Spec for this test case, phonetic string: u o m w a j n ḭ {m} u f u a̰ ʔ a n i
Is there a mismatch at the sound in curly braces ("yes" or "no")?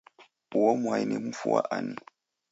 no